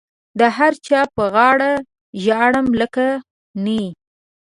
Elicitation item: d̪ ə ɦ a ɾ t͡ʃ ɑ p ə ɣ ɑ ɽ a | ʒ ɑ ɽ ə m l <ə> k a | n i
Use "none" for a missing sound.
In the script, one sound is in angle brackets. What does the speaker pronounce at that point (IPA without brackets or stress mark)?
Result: ə